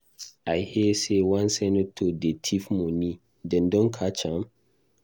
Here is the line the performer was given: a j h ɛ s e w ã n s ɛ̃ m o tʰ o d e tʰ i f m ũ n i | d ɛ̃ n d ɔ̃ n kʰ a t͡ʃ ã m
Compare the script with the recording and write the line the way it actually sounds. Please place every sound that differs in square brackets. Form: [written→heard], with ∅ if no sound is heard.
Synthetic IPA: a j h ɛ s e w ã n s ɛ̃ [m→n] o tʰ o d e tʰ i f m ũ n i | d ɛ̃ n d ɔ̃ n kʰ a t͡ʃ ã m